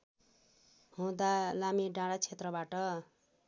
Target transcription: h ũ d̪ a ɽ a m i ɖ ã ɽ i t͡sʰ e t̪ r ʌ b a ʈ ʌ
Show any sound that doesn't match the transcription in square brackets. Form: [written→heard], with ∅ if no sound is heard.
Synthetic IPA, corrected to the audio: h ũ d̪ a [ɽ→l] a m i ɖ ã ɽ [i→a] t͡sʰ e t̪ r ʌ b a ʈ ʌ

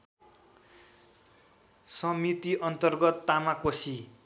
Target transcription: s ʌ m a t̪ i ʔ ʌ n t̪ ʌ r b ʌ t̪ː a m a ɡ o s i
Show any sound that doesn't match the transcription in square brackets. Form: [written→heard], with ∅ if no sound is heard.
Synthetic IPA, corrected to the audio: s ʌ m [a→i] t̪ i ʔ ʌ n t̪ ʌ r [b→ɡ] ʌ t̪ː a m a [ɡ→k] o s i

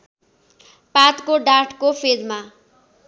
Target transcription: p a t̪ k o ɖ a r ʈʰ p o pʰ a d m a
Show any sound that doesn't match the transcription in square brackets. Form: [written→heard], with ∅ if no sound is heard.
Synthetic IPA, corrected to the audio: p a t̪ k o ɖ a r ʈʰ [p→k] o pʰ [a→e] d m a

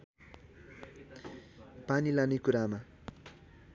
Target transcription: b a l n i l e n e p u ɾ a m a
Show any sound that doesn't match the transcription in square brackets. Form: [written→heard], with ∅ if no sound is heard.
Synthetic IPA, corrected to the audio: [b→p] a [l→∅] n i l [e→a] n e [p→k] u ɾ a m a

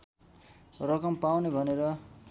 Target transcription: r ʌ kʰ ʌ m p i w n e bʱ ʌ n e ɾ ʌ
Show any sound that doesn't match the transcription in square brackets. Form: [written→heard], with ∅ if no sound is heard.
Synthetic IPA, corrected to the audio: r ʌ [kʰ→k] ʌ m p [i→a] w n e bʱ ʌ n e ɾ ʌ

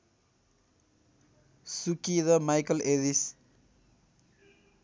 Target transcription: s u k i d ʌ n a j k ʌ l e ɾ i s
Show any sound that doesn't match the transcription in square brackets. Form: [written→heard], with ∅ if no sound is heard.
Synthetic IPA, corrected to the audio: s u k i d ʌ [n→m] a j k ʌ l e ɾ i s

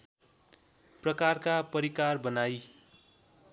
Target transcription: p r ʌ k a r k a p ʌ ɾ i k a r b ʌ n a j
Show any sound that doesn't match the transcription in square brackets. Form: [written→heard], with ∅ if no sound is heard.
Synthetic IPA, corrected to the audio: p r ʌ k a r k a p ʌ ɾ i k a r b ʌ n a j

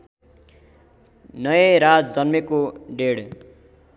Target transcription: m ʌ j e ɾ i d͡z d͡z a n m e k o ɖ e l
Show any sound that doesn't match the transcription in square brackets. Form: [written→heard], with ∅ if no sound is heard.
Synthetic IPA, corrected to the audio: [m→n] ʌ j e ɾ [i→a] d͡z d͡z [a→ʌ] n m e k o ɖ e [l→ɽ]

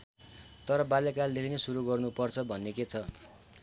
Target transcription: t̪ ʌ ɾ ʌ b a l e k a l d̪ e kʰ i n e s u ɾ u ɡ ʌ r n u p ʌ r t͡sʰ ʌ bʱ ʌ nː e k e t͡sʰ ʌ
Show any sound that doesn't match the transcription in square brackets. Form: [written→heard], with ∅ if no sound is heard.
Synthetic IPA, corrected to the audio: t̪ ʌ ɾ ʌ b a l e k a l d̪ e kʰ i n e s u ɾ u ɡ ʌ r n u p ʌ r t͡sʰ ʌ bʱ ʌ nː e k e t͡sʰ ʌ

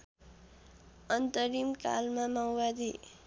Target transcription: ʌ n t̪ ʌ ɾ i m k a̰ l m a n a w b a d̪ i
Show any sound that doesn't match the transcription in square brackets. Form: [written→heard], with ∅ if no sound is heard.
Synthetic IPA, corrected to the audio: ʌ n t̪ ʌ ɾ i m k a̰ l m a [n→m] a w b a d̪ i

